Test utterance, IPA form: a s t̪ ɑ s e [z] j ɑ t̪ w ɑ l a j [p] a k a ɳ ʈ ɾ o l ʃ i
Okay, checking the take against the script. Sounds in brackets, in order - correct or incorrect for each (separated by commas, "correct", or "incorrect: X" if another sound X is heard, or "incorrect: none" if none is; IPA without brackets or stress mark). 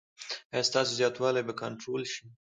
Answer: correct, incorrect: b